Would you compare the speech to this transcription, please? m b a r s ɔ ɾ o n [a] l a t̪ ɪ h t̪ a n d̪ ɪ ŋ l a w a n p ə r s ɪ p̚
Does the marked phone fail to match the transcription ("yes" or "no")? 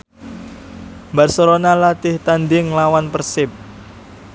no